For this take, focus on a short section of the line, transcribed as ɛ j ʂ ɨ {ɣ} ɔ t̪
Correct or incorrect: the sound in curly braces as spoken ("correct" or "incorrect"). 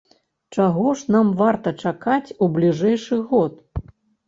correct